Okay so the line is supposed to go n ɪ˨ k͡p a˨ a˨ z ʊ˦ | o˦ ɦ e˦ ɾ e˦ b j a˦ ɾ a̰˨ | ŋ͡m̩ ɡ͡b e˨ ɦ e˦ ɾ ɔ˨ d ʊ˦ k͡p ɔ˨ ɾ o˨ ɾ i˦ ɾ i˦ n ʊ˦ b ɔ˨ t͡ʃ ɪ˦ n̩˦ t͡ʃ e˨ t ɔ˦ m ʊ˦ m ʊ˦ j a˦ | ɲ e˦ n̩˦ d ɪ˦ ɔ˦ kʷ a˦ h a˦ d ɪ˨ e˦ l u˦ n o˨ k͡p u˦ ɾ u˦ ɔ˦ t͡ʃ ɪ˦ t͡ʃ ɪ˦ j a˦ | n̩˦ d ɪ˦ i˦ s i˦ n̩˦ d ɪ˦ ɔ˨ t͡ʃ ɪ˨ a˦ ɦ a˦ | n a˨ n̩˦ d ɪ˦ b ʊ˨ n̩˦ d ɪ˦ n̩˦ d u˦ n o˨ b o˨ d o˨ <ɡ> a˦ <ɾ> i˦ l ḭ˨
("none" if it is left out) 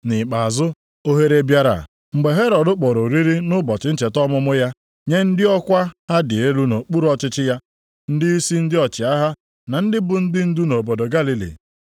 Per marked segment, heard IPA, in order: ɡ, l

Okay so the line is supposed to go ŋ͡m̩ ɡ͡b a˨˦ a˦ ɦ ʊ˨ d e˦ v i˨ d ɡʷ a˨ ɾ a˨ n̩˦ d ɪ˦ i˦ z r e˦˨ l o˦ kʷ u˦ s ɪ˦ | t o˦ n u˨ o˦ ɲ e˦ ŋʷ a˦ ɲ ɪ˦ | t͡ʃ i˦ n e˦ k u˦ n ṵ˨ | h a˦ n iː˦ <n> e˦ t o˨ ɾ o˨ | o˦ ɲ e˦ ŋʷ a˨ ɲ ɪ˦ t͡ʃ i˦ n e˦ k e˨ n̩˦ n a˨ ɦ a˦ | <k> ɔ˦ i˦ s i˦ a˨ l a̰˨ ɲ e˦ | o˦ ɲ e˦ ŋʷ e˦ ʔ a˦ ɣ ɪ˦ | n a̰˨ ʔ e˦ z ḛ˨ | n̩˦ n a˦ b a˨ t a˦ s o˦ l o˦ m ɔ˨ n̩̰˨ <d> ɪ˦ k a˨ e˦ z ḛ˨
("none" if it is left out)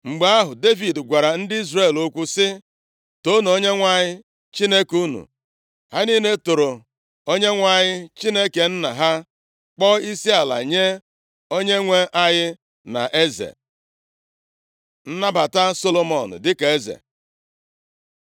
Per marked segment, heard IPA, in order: n, k͡p, d

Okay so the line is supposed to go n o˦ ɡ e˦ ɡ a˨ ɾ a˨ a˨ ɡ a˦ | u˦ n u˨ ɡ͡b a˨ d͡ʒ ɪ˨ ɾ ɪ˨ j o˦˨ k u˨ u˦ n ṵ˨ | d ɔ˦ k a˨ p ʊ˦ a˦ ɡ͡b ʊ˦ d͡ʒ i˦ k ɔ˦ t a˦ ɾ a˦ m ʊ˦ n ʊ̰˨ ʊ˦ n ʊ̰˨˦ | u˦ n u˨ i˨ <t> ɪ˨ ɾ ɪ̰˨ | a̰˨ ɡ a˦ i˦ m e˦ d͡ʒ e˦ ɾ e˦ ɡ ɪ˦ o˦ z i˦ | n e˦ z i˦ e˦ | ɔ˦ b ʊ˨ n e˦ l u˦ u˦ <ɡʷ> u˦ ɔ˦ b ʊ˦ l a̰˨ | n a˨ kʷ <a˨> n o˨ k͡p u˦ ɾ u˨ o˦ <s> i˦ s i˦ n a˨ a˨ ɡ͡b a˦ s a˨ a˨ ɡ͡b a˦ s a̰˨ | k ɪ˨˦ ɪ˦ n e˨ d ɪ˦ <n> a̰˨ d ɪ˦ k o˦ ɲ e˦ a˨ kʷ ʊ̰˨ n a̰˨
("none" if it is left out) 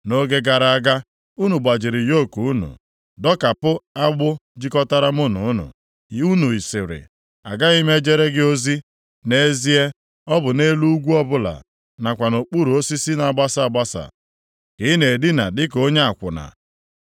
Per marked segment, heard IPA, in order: s, ɡʷ, a˨, s, n

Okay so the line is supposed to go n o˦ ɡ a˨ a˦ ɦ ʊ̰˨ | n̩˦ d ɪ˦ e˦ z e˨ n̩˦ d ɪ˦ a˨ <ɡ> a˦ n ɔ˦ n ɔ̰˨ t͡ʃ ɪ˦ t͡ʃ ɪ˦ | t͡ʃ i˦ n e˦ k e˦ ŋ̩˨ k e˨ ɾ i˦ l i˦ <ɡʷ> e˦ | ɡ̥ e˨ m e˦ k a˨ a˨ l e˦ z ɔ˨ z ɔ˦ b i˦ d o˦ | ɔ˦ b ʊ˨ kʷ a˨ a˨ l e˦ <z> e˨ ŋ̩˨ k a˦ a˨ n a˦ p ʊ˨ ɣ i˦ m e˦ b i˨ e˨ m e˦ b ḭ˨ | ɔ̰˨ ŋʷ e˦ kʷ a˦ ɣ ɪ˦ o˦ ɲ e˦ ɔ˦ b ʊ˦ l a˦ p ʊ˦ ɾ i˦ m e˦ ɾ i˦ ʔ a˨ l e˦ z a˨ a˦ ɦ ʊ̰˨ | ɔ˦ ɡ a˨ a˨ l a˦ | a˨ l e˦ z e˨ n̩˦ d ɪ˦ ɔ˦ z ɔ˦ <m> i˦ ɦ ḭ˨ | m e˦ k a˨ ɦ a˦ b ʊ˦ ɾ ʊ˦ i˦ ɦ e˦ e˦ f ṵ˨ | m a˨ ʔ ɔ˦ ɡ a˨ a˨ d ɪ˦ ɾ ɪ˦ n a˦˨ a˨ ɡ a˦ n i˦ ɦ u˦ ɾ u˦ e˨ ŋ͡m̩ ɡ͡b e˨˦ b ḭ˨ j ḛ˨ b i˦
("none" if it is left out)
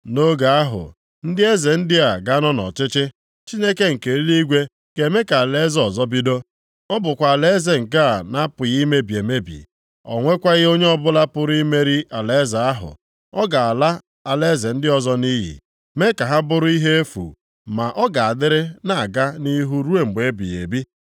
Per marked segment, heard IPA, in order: ɡ, ɡʷ, z, n

